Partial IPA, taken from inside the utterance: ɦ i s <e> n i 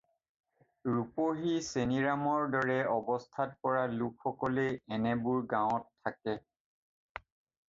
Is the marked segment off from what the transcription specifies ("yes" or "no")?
no